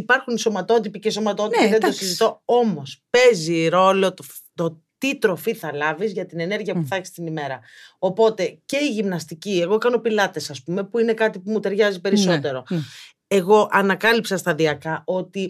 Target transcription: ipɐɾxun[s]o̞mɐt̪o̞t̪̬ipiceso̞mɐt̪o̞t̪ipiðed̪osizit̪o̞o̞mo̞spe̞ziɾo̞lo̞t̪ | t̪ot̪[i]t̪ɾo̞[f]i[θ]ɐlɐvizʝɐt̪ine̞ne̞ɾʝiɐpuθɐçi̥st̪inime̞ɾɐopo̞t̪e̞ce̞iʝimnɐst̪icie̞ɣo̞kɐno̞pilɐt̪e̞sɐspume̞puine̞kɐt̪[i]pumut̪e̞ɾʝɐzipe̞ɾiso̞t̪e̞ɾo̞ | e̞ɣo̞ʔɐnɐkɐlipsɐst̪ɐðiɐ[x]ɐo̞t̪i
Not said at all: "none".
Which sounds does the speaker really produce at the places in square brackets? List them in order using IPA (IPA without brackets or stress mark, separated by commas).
s, i, f, θ, i, k